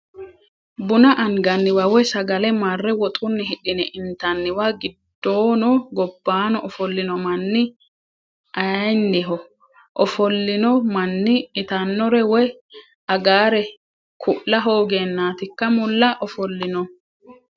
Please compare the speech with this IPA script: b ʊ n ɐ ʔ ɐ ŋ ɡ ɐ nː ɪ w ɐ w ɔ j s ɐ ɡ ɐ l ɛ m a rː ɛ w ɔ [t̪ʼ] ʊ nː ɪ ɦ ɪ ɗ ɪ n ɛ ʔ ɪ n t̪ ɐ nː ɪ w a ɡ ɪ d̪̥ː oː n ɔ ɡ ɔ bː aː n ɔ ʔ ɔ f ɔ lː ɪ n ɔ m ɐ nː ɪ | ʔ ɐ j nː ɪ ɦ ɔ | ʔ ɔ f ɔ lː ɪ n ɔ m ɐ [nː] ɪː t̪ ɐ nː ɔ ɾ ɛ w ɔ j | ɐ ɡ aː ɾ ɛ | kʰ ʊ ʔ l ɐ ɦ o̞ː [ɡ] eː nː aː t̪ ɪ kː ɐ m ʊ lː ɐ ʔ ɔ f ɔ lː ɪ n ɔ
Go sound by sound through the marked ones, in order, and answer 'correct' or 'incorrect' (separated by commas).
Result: correct, correct, correct